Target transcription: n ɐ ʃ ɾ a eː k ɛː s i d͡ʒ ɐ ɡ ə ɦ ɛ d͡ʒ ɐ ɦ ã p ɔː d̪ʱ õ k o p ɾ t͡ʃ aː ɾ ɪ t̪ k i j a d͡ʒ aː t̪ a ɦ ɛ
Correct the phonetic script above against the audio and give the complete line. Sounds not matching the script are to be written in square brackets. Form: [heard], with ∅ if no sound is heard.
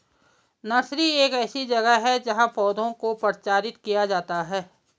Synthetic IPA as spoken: n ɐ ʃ ɾ [i] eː k ɛː s i d͡ʒ ɐ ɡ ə ɦ ɛ d͡ʒ ɐ ɦ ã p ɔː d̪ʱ õ k o p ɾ t͡ʃ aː ɾ ɪ t̪ k i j a d͡ʒ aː t̪ a ɦ [ɛː]

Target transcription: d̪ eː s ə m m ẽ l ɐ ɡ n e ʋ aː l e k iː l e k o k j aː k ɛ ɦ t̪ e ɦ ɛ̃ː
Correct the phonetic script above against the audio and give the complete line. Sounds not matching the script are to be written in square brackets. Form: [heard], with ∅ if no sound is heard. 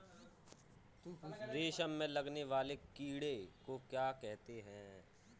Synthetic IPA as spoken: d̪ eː [ʃ] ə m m ẽ l ɐ ɡ n e ʋ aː l e k iː [ɽ] e k o k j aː k ɛ ɦ t̪ e ɦ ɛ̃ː

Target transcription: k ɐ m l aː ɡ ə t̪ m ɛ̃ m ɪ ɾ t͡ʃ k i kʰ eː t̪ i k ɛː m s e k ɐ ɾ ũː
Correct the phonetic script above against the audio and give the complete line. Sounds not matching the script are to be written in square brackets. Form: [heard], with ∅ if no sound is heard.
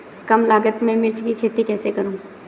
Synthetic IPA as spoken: k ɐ m l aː ɡ ə t̪ m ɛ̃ m ɪ ɾ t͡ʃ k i kʰ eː t̪ i k ɛː [∅] s e k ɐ ɾ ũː

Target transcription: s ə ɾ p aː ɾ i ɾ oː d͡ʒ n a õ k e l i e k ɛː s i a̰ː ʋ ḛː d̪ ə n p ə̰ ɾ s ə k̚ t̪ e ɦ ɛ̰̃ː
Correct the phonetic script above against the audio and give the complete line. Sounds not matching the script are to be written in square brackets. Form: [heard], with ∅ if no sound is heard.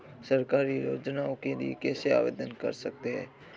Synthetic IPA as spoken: s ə ɾ [k] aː ɾ i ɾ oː d͡ʒ n a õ k e l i e k ɛː s [e] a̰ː ʋ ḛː d̪ ə n [k] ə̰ ɾ s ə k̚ t̪ e ɦ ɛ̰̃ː

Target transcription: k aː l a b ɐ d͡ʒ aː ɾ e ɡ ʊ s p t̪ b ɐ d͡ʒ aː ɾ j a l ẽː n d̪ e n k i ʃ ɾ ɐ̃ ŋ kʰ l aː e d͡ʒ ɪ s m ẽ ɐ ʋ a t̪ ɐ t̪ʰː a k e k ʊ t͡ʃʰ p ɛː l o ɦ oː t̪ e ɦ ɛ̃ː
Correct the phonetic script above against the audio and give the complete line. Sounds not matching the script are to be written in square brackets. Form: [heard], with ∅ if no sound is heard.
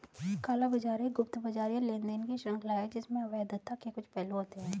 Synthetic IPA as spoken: k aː l a b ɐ d͡ʒ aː ɾ e ɡ ʊ [∅] p t̪ b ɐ d͡ʒ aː ɾ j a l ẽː n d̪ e n k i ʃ ɾ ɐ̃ ŋ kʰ l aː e d͡ʒ ɪ s m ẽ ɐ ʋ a [d̪] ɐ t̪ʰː a k e k ʊ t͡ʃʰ p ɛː l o ɦ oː t̪ e ɦ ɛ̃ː

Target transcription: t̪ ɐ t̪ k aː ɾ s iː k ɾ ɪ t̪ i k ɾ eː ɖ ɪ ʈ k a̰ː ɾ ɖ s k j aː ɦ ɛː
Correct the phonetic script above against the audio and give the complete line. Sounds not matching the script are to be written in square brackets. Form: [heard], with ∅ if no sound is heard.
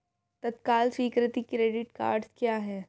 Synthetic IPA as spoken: t̪ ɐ t̪ k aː [l] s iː k ɾ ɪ t̪ i k ɾ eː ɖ ɪ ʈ k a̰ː ɾ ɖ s k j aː ɦ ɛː

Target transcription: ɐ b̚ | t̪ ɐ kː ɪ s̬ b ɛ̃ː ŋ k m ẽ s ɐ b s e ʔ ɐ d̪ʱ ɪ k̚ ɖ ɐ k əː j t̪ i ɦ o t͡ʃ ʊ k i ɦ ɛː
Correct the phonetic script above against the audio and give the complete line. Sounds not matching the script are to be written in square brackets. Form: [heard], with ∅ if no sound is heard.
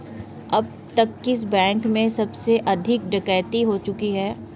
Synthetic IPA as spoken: ɐ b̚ | t̪ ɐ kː ɪ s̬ b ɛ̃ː ŋ k m ẽ s ɐ b s e ʔ ɐ d̪ʱ ɪ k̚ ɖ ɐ k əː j t̪ i ɦ o t͡ʃ ʊ k i ɦ ɛː

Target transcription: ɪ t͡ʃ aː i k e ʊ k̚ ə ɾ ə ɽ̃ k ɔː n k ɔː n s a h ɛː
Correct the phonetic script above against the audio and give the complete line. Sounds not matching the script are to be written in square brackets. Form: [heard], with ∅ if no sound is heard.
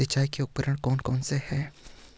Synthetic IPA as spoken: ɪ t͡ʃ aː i k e ʊ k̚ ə ɾ ə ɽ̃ k ɔː n k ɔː n s [e] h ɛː

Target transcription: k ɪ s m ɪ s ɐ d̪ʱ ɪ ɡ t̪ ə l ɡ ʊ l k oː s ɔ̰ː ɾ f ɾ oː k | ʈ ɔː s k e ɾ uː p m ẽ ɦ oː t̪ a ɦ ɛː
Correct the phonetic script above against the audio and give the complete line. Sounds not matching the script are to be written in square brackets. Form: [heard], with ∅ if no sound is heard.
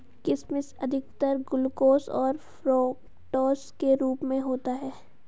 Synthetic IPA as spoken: k ɪ s m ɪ s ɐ d̪ʱ ɪ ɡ t̪ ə [ɾ] ɡ ʊ l k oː s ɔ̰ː ɾ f ɾ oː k | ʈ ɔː s k e ɾ uː p m ẽ ɦ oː t̪ a ɦ ɛː

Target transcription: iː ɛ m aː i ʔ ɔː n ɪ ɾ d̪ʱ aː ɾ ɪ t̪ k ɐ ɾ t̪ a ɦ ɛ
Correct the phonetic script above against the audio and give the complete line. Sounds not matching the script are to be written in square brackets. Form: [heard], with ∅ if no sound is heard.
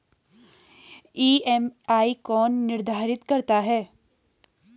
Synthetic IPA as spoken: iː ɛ m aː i [k] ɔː [nː] ɪ ɾ d̪ʱ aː ɾ ɪ t̪ k ɐ ɾ t̪ a ɦ [ɛː]

